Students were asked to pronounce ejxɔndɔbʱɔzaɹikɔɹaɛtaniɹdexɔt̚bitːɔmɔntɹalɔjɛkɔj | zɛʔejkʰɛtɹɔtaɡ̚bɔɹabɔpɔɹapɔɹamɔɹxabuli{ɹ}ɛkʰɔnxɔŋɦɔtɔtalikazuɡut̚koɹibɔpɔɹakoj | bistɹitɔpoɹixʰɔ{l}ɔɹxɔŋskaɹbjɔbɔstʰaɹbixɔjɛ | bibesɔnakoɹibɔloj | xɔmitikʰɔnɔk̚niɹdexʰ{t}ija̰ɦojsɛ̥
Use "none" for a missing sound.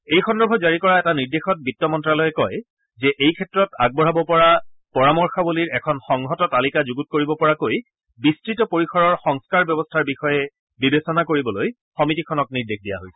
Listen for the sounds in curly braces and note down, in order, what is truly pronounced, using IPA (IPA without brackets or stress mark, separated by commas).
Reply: ɹ, ɹ, d